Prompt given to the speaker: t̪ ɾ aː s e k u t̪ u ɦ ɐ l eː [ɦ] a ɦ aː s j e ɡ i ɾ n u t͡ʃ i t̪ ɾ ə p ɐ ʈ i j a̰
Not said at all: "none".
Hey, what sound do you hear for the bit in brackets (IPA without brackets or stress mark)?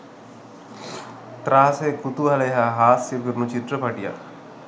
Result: ɦ